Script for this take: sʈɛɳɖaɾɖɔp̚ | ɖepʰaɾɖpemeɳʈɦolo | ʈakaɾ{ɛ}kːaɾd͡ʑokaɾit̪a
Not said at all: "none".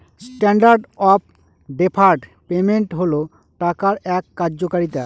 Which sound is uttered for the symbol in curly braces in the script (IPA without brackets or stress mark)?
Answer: ɛ